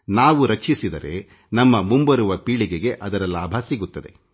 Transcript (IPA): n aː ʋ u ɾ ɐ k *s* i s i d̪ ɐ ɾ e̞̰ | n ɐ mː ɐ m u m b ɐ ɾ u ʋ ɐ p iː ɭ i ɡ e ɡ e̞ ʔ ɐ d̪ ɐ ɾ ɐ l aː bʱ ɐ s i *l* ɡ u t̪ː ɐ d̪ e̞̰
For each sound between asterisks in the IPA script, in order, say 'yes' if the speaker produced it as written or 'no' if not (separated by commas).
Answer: no, no